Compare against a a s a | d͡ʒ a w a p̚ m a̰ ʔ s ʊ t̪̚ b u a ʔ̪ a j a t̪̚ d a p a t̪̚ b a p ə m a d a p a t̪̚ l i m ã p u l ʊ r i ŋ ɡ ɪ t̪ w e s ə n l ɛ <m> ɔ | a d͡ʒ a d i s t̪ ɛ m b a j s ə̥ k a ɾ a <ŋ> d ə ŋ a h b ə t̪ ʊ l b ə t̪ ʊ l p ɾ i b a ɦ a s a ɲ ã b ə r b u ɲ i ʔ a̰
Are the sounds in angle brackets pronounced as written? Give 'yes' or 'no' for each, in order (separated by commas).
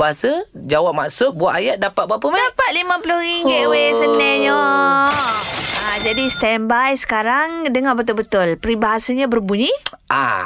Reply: no, yes